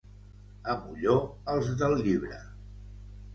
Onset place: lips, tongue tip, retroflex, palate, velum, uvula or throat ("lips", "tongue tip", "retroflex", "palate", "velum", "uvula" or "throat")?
lips